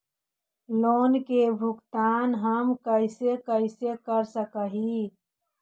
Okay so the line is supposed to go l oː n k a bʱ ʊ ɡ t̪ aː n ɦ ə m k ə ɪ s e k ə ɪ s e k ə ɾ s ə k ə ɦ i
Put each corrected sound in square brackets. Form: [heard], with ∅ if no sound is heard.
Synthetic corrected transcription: l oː n k [e] bʱ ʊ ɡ t̪ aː n ɦ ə m k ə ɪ s e k ə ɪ s e k ə ɾ s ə k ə ɦ i